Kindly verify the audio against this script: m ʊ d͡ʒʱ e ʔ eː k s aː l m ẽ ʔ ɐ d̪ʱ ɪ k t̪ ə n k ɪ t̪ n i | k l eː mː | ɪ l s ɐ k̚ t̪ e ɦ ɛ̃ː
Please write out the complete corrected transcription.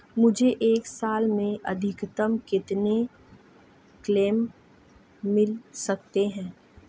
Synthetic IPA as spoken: m ʊ d͡ʒʱ e ʔ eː k s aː l m ẽ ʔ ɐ d̪ʱ ɪ k t̪ ə m k ɪ t̪ n e | k l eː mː | ɪ l s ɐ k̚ t̪ e ɦ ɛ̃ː